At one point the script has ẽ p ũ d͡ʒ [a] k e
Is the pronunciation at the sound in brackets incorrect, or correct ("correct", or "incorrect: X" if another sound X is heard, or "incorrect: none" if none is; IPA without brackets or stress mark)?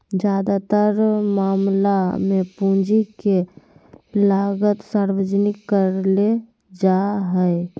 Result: incorrect: i